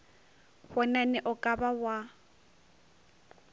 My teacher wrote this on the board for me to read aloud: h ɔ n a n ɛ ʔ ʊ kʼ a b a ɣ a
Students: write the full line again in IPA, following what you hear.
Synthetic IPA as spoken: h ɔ n a n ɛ ʔ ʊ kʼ a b a w a